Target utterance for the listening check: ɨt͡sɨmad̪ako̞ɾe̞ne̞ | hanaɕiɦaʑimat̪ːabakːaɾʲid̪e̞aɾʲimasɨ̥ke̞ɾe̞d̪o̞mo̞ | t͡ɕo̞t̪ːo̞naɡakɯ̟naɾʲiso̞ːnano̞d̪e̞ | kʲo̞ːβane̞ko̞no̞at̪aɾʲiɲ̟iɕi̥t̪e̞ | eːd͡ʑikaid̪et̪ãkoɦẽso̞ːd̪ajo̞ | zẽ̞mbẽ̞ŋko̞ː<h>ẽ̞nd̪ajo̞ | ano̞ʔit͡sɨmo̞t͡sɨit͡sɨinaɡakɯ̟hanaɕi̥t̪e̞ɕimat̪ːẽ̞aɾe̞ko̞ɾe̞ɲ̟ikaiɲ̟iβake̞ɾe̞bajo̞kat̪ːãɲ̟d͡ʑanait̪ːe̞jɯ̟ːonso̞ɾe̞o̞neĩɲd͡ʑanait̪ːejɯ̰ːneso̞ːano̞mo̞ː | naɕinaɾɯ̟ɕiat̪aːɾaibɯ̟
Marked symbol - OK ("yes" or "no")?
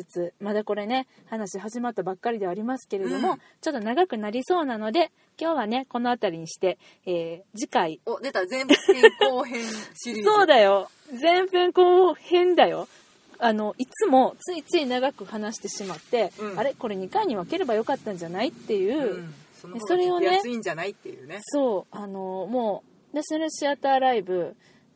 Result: yes